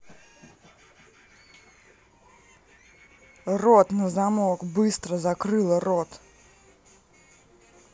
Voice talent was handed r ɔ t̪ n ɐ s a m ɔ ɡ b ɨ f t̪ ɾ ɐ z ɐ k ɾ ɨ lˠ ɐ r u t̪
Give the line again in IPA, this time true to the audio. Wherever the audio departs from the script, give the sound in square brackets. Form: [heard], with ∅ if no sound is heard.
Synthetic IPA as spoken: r ɔ t̪ n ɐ [z] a m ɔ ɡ b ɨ [s] t̪ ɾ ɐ z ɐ k ɾ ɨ lˠ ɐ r [ɔ] t̪